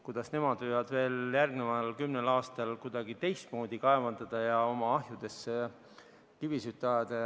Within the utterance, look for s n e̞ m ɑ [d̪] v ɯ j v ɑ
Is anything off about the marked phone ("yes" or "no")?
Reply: no